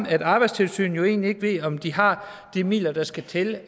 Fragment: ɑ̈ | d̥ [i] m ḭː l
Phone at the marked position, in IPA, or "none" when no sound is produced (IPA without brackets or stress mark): i